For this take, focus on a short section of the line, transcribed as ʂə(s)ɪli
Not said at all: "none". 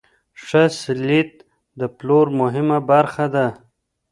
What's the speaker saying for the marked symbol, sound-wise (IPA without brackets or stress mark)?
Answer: s